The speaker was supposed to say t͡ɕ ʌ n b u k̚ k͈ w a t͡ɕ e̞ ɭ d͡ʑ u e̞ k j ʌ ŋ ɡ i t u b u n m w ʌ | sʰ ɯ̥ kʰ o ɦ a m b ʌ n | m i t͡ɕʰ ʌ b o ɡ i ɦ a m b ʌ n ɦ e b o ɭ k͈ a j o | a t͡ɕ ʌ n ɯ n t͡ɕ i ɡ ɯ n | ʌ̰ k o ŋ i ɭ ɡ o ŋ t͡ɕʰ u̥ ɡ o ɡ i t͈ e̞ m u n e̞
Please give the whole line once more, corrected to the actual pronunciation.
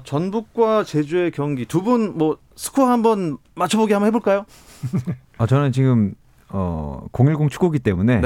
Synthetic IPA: t͡ɕ ʌ n b u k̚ k͈ w a t͡ɕ e̞ d͡ʑ u e̞ k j ʌ ŋ ɡ i t u b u n m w ʌ | sʰ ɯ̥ kʰ o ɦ a m b ʌ n | m a t͡ɕʰ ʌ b o ɡ i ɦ a m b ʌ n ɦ e b o ɭ k͈ a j o | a t͡ɕ ʌ n ɯ n t͡ɕ i ɡ ɯ m | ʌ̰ k o ŋ i ɭ ɡ o ŋ t͡ɕʰ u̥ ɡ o ɡ i t͈ e̞ m u n e̞